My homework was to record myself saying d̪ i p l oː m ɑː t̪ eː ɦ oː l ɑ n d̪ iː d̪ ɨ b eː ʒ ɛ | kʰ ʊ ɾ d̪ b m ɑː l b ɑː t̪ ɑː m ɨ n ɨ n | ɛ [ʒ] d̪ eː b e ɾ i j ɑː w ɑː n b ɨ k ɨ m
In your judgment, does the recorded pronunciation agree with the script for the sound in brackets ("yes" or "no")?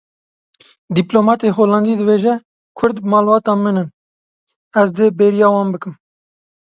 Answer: no